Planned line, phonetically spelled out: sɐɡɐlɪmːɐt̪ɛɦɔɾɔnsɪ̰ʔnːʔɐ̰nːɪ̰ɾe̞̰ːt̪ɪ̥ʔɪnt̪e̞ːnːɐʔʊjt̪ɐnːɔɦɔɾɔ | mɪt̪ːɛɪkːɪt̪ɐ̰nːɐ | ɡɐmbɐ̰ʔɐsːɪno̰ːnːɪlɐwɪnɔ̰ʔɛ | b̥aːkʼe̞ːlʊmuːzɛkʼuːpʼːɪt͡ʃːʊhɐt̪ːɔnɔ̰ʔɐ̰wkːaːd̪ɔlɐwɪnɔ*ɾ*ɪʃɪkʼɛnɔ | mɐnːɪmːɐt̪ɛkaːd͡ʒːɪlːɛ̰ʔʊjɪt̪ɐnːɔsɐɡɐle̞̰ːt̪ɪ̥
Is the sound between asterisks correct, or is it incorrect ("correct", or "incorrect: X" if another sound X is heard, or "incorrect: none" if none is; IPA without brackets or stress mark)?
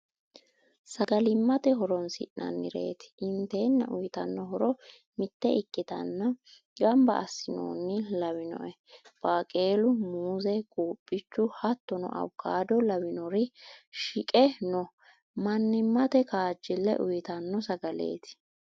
correct